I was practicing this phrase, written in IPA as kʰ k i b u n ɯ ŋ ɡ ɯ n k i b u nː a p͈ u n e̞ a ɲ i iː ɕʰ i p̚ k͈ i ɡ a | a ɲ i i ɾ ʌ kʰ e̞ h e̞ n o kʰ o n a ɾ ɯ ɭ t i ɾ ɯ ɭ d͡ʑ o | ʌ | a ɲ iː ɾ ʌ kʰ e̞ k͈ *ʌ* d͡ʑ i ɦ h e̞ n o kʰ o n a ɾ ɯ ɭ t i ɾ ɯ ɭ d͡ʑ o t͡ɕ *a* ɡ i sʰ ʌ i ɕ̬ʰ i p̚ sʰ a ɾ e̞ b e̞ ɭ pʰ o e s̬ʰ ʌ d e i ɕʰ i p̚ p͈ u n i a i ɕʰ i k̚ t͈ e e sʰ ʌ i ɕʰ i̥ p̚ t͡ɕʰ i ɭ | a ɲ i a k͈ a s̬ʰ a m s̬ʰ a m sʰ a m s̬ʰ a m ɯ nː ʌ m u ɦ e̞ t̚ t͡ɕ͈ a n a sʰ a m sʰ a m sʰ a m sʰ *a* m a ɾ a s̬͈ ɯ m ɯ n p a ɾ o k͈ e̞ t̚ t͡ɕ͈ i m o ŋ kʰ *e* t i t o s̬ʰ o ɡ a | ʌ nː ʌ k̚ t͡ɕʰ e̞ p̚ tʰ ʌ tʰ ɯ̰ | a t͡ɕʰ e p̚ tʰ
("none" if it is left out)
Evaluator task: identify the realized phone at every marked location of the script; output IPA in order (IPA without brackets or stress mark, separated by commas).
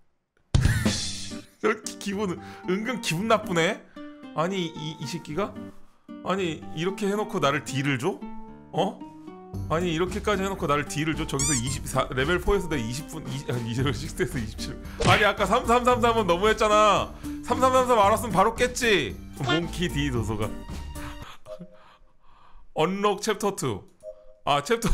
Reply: a, ʌ, a, i